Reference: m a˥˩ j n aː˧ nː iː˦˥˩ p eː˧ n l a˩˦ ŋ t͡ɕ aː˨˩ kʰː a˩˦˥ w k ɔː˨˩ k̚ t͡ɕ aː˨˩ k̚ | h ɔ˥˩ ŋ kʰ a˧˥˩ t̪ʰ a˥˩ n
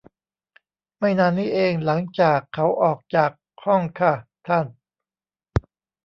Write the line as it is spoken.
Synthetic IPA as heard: m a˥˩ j n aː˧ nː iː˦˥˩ ʔ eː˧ ŋ l a˩˦ ŋ t͡ɕ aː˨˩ kʰː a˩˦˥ w ʔ ɔː˨˩ k̚ t͡ɕ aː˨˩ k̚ | h ɔ˥˩ ŋ kʰ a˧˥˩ t̪ʰ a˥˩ n